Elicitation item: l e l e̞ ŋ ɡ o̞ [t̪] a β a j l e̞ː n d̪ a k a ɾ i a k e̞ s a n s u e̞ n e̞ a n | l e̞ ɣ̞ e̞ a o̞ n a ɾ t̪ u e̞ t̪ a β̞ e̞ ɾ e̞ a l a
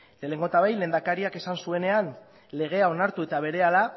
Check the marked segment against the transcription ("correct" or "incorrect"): correct